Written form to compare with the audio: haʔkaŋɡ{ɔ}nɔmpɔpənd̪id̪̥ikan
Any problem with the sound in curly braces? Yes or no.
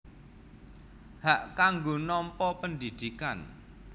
yes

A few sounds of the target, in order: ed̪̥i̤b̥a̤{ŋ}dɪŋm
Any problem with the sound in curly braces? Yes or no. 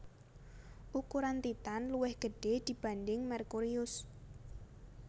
yes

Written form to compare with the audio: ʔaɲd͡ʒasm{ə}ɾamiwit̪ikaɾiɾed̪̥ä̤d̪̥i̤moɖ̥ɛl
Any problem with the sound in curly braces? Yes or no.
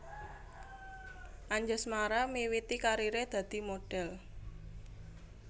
yes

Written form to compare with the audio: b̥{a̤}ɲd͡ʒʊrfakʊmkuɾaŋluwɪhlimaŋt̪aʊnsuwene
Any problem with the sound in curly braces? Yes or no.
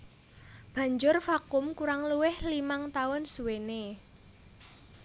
no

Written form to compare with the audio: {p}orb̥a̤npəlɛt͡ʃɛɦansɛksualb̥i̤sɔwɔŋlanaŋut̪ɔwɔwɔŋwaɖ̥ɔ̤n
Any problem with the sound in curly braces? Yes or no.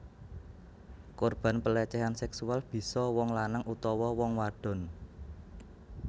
yes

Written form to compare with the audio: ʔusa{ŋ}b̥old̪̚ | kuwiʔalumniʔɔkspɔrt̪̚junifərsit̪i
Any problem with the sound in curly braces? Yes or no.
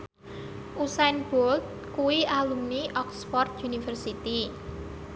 yes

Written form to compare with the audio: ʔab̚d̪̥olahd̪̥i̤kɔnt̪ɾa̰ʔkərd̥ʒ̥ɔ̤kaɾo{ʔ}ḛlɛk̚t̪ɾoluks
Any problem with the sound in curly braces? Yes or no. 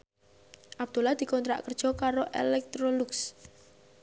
no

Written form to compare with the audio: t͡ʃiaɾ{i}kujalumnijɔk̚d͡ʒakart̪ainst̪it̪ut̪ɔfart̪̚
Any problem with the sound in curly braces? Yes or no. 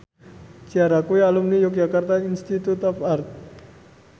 yes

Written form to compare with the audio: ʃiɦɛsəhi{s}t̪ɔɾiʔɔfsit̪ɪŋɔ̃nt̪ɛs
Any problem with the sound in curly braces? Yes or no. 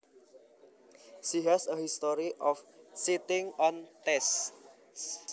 no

